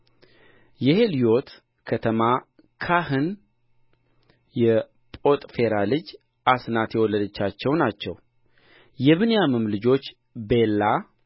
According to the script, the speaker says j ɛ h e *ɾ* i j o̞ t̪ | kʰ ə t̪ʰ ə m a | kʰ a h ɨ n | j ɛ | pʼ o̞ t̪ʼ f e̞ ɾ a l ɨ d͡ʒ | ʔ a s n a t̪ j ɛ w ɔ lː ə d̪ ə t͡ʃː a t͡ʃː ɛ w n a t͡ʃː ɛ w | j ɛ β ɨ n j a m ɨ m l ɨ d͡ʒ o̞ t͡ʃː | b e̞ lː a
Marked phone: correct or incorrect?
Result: incorrect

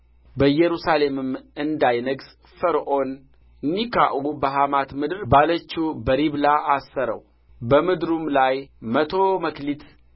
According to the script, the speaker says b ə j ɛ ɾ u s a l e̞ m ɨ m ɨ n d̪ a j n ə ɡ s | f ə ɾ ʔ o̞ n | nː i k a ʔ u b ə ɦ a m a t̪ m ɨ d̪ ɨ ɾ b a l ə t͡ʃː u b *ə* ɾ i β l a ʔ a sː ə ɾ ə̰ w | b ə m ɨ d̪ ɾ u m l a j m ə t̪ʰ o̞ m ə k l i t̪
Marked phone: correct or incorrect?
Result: correct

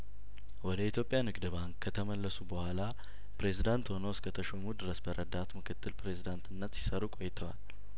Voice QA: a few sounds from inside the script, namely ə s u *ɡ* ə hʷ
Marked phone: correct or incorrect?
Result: incorrect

